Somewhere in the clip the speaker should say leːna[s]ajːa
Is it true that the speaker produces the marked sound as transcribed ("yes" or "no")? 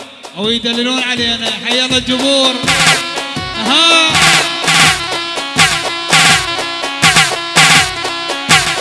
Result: no